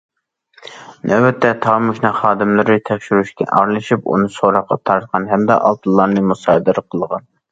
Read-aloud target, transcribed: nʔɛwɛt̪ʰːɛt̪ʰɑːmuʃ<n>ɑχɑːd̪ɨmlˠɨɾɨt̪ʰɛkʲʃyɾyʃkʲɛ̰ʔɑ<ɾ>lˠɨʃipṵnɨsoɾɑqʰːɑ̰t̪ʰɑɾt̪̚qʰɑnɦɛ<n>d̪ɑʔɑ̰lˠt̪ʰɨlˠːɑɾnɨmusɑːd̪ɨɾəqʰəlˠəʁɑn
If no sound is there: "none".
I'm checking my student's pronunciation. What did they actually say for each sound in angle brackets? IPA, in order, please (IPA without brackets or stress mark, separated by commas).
n, ɾ, m